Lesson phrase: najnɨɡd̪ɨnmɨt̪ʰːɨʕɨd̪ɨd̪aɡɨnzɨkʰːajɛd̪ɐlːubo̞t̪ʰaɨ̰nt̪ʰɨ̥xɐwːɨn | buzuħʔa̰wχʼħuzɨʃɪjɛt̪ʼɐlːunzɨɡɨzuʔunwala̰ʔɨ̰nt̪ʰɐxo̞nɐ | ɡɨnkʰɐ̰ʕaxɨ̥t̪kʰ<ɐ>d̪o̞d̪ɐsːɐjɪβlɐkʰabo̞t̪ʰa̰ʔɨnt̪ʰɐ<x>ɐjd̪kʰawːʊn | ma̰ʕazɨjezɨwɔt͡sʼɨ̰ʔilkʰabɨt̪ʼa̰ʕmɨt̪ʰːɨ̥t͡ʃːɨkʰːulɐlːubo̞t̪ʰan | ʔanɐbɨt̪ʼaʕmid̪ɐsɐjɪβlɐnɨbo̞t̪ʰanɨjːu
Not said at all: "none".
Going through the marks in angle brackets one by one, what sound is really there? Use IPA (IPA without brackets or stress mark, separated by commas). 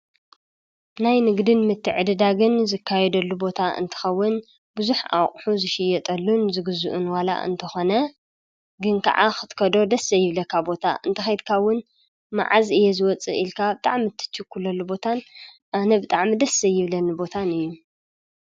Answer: ɐ, x